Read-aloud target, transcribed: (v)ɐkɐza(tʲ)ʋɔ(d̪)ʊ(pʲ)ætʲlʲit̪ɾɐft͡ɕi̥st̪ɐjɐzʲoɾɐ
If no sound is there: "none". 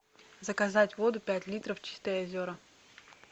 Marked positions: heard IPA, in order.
z, tʲ, d̪, pʲ

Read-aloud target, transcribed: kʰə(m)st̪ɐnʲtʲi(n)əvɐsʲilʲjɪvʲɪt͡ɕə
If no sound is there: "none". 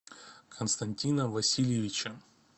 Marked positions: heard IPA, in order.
n, n

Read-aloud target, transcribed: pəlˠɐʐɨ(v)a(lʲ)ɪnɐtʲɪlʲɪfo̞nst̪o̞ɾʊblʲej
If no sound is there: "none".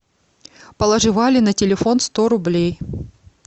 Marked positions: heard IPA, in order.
v, lʲ

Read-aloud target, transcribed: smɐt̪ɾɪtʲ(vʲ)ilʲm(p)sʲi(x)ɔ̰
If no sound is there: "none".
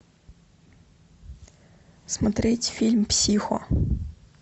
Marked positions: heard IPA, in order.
fʲ, p, x

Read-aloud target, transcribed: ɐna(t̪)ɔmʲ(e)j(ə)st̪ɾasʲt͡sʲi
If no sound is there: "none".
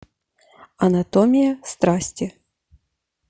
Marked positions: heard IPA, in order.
t̪, i, ɐ

